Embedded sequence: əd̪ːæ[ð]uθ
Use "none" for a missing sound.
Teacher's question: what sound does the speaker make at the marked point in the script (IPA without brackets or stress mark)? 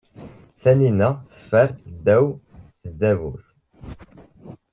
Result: v